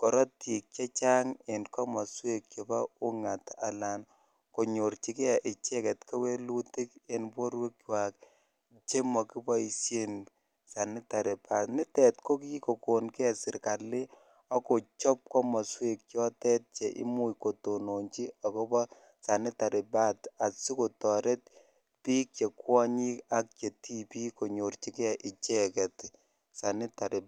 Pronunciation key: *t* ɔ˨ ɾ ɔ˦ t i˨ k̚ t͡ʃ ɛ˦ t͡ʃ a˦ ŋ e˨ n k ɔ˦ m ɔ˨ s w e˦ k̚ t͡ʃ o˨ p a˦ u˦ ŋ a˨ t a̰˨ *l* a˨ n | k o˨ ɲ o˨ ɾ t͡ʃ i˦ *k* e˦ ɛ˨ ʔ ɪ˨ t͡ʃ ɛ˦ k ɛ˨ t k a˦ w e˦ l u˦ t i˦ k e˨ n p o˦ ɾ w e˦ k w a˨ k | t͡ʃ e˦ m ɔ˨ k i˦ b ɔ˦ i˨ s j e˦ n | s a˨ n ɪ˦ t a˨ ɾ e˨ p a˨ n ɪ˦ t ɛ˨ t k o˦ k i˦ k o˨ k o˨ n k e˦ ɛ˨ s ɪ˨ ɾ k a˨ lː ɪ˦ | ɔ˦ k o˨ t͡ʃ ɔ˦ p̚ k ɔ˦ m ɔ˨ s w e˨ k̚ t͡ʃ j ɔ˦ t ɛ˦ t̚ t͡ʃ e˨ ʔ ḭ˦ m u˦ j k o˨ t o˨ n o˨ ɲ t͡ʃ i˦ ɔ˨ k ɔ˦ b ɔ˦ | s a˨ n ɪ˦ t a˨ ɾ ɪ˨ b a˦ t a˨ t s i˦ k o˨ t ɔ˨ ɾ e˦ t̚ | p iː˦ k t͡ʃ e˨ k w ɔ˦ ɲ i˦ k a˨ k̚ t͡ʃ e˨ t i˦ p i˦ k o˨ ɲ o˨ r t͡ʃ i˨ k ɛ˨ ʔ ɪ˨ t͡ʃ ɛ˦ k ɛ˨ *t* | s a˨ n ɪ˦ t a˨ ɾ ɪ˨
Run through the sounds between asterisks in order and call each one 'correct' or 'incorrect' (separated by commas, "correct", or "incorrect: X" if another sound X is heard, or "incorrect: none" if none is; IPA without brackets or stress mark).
incorrect: k, correct, correct, correct